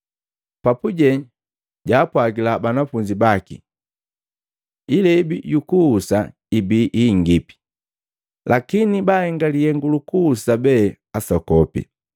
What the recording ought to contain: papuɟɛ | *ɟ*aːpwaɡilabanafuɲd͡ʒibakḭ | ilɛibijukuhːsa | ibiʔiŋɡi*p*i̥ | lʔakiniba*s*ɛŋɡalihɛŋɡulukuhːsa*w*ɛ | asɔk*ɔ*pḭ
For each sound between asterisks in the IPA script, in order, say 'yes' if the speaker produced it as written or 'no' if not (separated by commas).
yes, yes, no, no, yes